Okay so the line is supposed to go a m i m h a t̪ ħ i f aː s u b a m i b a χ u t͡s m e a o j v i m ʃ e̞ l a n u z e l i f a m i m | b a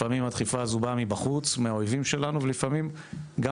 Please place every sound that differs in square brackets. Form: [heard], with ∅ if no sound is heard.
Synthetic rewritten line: a m i m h a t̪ [χ] i f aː [z] u b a m i b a χ u t͡s m e a o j v i m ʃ e̞ l a n u [v] e l i f a m i m | [ɡ] a